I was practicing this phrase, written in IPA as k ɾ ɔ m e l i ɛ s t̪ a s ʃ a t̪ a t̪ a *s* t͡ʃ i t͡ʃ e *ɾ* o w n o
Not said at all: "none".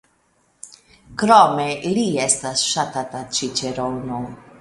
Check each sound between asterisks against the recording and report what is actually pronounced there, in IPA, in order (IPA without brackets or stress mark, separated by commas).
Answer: none, ɾ